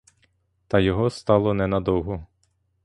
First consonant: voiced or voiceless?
voiceless